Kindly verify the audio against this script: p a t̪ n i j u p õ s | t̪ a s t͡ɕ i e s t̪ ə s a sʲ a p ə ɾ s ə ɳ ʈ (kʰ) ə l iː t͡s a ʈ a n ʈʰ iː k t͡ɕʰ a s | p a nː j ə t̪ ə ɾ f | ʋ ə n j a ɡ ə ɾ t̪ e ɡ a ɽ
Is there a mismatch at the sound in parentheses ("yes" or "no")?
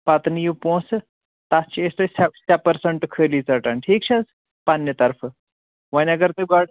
no